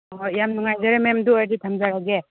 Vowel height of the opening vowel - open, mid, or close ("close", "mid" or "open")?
open